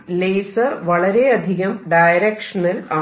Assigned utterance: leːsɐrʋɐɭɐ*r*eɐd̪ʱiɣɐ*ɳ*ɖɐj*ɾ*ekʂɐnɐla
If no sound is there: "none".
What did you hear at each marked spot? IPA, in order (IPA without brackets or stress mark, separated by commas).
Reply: ɾ, m, ɾ